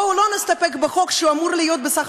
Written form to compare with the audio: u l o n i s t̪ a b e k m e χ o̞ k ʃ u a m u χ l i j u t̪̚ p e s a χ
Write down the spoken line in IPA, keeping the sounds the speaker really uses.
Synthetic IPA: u l o n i s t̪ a p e k b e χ o̞ k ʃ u a m u ʁ l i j o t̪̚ b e s a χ